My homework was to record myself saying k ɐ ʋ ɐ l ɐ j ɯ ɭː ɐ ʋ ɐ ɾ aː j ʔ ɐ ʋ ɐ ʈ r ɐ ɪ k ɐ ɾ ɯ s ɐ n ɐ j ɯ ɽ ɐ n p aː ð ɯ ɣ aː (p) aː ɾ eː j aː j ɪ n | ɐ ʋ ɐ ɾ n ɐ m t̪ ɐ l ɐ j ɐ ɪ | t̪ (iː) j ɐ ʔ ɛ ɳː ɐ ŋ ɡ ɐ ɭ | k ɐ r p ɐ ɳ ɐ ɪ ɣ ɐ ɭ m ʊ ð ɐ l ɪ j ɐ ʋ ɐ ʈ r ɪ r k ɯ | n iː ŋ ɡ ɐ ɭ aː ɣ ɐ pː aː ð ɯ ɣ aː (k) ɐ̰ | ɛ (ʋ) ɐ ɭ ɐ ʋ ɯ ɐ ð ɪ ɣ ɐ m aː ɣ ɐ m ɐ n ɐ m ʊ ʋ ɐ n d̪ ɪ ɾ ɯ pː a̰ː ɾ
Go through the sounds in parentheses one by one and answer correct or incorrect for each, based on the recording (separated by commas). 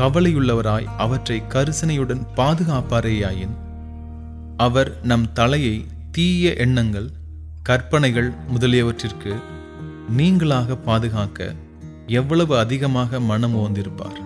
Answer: correct, correct, correct, incorrect